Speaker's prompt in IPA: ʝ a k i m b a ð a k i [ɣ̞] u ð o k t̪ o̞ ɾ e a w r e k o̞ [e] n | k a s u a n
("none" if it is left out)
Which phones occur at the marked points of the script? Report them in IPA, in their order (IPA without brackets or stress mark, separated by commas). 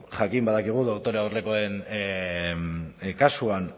ɣ̞, e